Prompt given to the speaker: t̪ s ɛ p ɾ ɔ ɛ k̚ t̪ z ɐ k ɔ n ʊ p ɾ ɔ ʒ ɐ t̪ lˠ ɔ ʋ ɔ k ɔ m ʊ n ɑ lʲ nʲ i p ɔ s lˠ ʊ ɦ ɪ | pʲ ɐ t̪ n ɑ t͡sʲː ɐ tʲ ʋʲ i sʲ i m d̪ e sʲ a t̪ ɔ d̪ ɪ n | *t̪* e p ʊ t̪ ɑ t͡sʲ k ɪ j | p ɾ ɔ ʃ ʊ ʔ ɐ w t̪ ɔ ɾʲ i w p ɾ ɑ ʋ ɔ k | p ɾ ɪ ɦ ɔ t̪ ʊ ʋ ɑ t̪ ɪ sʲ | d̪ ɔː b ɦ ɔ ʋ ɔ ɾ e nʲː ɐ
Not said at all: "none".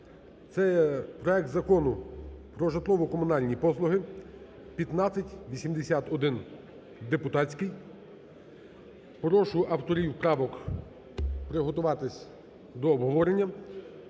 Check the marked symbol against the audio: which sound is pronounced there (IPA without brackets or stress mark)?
d̪